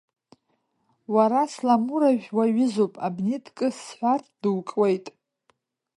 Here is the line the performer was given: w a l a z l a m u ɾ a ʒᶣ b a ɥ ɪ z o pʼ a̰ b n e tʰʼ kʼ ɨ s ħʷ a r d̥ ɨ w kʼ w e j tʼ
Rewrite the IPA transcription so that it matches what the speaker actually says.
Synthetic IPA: w a ɾ a s l a m u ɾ a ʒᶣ w a ɥ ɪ z o pʼ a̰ b n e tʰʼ kʼ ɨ s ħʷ a r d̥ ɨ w kʼ w e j tʼ